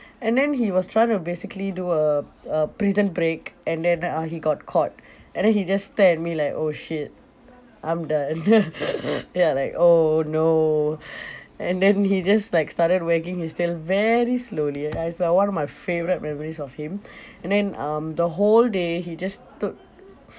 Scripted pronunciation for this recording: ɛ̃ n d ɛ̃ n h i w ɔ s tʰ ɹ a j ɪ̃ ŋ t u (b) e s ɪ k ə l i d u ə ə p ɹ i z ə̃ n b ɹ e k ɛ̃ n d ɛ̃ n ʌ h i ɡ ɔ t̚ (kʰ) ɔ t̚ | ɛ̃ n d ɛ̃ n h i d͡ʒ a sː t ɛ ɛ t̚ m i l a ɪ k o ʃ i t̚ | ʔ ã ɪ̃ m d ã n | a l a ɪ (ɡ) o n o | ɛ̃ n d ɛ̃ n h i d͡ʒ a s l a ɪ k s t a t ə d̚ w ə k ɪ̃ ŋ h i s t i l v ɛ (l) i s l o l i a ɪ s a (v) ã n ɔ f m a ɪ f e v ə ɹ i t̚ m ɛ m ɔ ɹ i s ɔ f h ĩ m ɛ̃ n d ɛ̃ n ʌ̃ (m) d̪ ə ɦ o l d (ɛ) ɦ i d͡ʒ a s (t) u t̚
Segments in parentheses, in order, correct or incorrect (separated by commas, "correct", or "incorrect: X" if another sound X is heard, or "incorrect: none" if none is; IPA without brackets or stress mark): correct, correct, incorrect: k, incorrect: ɹ, incorrect: w, correct, incorrect: e, correct